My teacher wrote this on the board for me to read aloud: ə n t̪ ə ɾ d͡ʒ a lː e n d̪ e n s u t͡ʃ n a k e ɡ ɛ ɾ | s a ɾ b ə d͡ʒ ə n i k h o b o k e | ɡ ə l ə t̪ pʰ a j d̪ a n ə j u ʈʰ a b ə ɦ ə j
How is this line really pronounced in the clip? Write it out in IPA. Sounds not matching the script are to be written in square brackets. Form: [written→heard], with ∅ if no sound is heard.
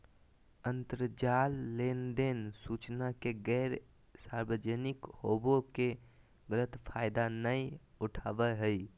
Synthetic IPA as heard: ə n t̪ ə ɾ d͡ʒ a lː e n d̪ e n s u t͡ʃ n a k e ɡ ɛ ɾ | s a ɾ b ə d͡ʒ ə n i k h o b o k e | ɡ ə l ə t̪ pʰ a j d̪ a n ə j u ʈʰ a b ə ɦ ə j